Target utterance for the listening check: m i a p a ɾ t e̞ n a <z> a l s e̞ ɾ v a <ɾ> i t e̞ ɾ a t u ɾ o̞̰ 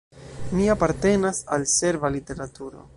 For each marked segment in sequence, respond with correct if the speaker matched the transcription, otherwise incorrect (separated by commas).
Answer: incorrect, incorrect